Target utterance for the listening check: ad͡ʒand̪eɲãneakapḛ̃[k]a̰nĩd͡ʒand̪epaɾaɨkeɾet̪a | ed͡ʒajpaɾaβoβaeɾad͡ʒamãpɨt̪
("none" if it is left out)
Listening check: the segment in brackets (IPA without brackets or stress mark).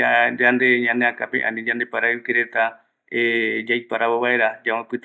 ʔ